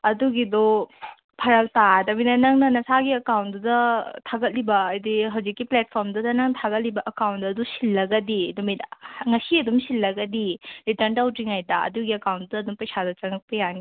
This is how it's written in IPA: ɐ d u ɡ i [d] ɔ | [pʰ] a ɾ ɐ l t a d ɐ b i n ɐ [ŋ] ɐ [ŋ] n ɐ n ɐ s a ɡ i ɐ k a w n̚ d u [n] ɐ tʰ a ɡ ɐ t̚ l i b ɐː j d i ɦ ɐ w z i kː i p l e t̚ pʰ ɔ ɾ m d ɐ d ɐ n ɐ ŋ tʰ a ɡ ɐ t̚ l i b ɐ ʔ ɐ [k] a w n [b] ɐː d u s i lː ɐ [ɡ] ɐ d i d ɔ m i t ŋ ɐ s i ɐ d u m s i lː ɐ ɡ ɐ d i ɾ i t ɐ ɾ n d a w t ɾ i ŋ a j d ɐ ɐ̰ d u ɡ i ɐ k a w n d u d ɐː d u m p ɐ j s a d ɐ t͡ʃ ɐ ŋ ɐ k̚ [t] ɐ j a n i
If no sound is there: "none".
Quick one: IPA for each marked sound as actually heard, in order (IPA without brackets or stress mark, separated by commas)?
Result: d, pʰ, n, ŋ, d, k, d, ɡ, p